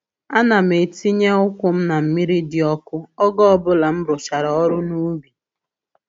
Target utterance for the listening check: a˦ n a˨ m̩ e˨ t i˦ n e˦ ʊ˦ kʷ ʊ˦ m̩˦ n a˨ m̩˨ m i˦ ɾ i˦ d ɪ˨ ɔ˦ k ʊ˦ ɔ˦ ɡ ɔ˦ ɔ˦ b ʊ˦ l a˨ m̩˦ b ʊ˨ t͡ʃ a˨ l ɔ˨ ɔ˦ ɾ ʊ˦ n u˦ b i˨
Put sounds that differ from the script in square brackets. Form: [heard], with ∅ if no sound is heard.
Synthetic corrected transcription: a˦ n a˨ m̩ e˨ t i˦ [ɲ] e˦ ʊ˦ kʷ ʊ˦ m̩˦ n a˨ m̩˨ m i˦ ɾ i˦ d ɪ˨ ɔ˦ k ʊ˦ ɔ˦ ɡ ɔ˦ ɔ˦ b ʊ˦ l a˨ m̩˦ b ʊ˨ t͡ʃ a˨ [ɾ] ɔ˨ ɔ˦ ɾ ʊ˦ n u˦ b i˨